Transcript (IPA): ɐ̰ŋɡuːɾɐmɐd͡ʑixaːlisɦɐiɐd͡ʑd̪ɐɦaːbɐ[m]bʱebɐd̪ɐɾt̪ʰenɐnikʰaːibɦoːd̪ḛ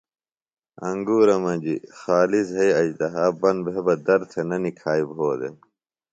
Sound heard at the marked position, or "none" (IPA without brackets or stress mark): n